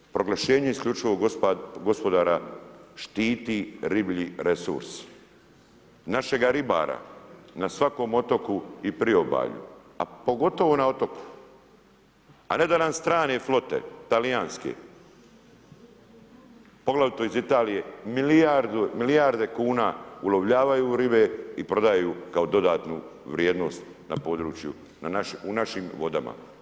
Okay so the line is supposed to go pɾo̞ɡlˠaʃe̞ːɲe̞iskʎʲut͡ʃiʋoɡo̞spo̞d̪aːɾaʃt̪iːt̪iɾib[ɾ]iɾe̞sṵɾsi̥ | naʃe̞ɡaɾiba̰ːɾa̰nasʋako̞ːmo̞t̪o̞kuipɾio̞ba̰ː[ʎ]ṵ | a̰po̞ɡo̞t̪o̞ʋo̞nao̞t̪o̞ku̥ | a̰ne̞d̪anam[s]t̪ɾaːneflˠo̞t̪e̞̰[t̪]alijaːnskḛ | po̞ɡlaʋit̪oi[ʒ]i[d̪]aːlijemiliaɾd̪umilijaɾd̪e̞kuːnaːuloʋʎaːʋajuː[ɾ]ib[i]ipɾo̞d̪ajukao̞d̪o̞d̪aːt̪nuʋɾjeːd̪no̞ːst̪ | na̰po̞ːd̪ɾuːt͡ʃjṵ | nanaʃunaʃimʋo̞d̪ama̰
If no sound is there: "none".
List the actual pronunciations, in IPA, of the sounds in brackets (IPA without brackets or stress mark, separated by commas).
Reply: ʎ, ʎ, s, t̪, z, t̪, ɾ, e